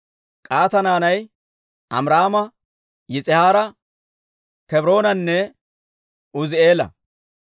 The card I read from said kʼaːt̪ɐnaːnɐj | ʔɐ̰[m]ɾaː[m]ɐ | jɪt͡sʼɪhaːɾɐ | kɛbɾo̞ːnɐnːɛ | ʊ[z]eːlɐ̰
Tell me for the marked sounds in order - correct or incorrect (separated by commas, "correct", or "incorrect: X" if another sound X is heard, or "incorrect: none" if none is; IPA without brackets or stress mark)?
correct, correct, correct